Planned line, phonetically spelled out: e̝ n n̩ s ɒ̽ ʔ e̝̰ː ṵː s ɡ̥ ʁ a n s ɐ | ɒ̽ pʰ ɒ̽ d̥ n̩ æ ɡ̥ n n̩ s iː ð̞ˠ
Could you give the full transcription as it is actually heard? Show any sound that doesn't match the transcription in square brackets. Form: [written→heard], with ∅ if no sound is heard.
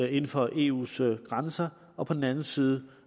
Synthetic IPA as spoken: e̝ n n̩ [s→f] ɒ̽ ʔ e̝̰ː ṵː s ɡ̥ ʁ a n s ɐ | ɒ̽ pʰ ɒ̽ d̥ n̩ æ [ɡ̥→∅] n n̩ s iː ð̞ˠ